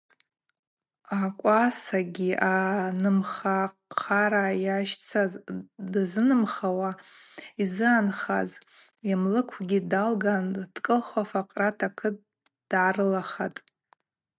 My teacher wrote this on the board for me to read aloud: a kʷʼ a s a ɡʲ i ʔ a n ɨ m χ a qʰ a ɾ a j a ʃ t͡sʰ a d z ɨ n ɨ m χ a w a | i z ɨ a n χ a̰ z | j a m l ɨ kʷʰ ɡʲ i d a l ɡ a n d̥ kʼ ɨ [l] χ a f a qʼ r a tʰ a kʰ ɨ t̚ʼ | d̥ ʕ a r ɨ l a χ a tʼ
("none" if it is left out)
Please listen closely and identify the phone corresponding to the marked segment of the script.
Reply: l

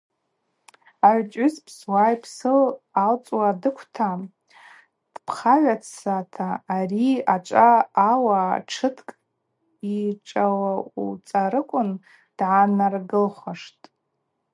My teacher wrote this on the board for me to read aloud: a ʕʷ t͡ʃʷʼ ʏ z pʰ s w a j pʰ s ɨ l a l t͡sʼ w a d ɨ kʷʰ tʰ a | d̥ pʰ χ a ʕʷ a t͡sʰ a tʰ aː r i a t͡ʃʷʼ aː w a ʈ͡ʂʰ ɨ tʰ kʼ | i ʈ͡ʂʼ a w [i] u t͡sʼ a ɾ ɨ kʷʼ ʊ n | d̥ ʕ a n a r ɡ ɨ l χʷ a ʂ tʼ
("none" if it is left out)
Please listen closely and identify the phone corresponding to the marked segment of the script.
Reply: a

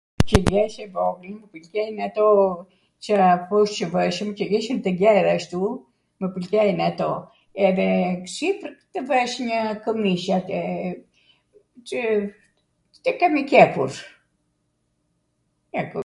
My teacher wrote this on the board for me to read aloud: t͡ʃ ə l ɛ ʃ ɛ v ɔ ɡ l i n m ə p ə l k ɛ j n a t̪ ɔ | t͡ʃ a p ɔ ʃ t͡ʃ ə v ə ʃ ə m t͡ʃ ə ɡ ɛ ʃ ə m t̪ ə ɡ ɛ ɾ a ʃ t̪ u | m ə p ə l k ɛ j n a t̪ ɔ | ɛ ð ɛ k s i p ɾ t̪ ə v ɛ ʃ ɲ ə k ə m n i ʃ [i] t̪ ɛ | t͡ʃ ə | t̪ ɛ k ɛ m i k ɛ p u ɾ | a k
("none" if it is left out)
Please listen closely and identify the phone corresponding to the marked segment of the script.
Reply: a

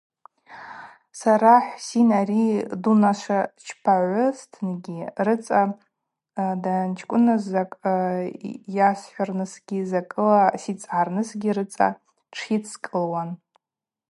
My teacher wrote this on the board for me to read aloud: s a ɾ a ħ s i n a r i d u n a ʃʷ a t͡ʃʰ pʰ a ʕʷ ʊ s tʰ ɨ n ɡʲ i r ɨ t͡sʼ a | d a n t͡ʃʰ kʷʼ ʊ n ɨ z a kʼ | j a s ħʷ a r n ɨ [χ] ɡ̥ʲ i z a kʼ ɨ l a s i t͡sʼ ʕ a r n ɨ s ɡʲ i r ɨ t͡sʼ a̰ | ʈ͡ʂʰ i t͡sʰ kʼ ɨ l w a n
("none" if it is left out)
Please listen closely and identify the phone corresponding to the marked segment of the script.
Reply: s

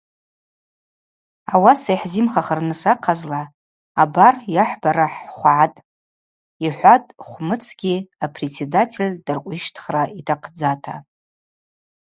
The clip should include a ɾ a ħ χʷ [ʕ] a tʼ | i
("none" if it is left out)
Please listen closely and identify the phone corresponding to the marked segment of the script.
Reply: ʕ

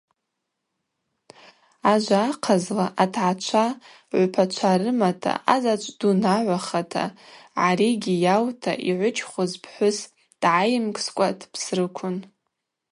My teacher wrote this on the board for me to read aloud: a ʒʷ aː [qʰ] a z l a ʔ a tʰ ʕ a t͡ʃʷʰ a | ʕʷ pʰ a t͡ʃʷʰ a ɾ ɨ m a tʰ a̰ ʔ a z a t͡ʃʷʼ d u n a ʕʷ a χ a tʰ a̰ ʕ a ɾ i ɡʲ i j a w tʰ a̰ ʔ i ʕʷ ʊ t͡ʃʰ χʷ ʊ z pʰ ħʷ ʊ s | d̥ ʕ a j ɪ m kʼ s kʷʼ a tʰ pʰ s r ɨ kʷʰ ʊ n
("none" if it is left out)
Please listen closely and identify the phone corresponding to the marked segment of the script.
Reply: qʰ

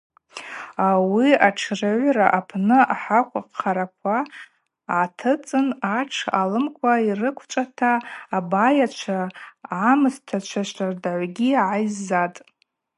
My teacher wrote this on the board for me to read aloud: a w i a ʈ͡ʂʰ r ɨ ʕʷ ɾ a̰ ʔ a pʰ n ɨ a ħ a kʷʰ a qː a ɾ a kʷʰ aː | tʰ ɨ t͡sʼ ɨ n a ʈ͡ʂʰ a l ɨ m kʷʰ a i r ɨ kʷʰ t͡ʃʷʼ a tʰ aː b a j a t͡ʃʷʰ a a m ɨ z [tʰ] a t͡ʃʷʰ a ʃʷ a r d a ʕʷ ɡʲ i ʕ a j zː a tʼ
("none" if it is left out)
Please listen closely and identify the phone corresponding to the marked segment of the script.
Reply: tʰ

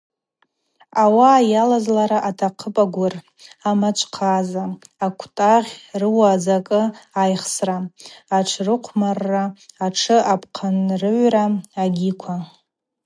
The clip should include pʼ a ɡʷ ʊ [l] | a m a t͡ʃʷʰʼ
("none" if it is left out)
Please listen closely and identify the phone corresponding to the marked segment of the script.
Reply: r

